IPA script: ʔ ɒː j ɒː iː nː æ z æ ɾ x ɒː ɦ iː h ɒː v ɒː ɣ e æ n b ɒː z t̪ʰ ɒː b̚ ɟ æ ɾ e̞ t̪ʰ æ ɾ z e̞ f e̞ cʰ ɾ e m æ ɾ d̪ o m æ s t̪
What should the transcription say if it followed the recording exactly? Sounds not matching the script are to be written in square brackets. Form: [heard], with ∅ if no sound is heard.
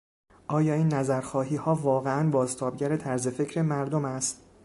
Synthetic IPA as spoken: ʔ ɒː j ɒː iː nː æ z æ ɾ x ɒː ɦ iː h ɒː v ɒː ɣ e æ n b ɒː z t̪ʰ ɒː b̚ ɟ æ ɾ e̞ t̪ʰ æ ɾ z e̞ f e̞ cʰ ɾ e m æ ɾ d̪ o m æ s t̪